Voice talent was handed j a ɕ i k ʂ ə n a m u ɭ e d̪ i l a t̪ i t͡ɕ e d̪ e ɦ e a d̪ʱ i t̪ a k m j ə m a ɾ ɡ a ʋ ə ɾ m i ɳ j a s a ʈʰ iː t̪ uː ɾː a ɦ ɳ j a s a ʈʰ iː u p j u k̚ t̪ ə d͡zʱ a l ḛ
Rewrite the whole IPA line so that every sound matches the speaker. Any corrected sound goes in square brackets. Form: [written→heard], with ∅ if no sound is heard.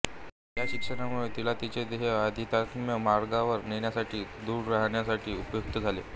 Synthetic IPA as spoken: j a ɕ i k ʂ ə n a m u ɭ e [d̪→t̪] i l a t̪ i t͡ɕ e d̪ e ɦ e a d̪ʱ i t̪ a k m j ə m a ɾ ɡ a ʋ ə ɾ [m→n] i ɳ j a s a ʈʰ iː [t̪→d̪] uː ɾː a ɦ ɳ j a s a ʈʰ iː u p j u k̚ t̪ ə d͡zʱ a l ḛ